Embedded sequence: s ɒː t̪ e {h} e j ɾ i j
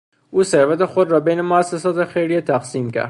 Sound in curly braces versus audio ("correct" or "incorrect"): incorrect